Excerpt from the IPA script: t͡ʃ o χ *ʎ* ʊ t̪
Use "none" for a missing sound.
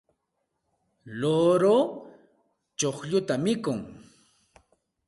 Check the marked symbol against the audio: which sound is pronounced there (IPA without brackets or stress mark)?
ʎ